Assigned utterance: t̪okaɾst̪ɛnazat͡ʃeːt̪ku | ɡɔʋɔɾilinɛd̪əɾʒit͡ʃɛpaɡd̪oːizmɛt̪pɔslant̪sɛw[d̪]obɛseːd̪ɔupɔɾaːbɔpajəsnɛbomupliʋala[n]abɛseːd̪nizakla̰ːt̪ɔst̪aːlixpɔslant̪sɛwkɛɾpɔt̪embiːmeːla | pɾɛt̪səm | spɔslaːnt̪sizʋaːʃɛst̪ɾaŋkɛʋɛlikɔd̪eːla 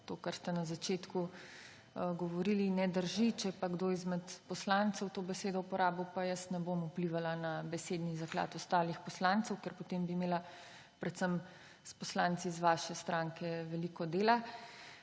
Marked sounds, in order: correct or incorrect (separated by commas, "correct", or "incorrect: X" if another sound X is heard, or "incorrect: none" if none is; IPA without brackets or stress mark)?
incorrect: t̪, correct